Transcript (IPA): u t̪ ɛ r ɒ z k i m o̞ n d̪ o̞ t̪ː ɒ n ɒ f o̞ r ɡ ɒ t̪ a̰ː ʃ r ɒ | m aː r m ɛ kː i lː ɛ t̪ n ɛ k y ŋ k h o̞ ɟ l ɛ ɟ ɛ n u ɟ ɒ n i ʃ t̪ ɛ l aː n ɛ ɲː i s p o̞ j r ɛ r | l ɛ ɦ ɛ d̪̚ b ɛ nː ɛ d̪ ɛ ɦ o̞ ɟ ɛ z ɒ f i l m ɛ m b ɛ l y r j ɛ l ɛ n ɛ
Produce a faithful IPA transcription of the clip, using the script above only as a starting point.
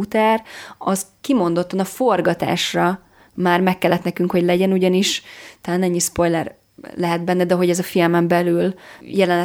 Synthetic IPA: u t̪ ɛ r ɒ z k i m o̞ n d̪ o̞ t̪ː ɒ n ɒ f o̞ r ɡ ɒ t̪ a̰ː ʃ r ɒ | m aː r m ɛ kː ɛ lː ɛ t̪ n ɛ k y ŋ k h o̞ ɟ l ɛ ɟ ɛ n u ɟ ɒ n i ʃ t̪ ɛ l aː n ɛ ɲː i s p o̞ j l ɛ r | l ɛ ɦ ɛ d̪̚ b ɛ nː ɛ d̪ ɛ ɦ o̞ ɟ ɛ z ɒ f i l m ɛ m b ɛ l y l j ɛ l ɛ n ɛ